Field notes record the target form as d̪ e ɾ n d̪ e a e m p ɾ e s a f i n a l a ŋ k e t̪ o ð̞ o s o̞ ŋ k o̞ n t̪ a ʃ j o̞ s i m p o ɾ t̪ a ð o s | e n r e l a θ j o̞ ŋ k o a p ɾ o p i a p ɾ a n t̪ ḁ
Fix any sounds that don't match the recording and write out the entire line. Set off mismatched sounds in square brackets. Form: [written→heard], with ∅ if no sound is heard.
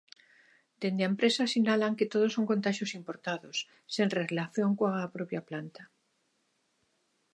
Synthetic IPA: d̪ e [ɾ→∅] n d̪ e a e m p ɾ e s a [f→s] i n a l a ŋ k e t̪ o ð̞ o s o̞ ŋ k o̞ n t̪ a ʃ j o̞ s i m p o ɾ t̪ a ð o [s→sː] | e n r e l a θ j o̞ ŋ k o a p ɾ o p [i→j] a p [ɾ→l] a n t̪ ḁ